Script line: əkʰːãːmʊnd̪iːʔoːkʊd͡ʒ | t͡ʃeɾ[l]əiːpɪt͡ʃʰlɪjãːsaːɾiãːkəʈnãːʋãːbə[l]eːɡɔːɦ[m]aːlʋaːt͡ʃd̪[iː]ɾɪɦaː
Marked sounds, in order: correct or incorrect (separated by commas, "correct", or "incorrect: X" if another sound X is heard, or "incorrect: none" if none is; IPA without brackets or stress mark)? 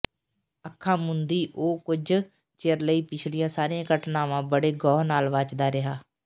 correct, incorrect: ɽ, incorrect: n, incorrect: aː